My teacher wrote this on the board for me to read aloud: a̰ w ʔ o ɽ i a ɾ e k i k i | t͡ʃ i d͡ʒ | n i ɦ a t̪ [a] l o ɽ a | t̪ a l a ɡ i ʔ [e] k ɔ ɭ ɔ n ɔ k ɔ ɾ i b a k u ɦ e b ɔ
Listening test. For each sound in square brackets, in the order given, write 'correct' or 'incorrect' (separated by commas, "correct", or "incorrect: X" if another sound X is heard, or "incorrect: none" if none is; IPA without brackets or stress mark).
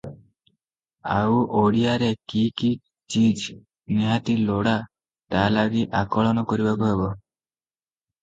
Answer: incorrect: i, incorrect: a